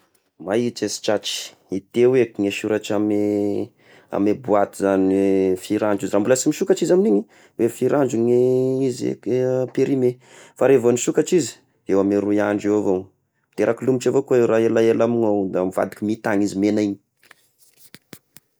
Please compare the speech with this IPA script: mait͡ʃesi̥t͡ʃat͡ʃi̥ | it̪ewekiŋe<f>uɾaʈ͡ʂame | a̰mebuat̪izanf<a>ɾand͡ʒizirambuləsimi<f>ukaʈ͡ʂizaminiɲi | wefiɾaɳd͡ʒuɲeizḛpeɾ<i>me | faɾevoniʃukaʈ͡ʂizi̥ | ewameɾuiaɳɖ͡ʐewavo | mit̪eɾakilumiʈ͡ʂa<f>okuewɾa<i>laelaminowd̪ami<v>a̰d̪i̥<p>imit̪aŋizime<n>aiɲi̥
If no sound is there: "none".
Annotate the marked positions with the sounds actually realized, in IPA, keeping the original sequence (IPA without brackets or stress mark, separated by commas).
ʃ, i, ʃ, i, v, e, v, k, n